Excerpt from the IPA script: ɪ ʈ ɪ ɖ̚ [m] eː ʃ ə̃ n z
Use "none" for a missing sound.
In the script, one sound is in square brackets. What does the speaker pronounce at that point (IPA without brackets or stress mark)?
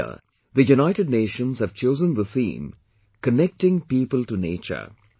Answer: n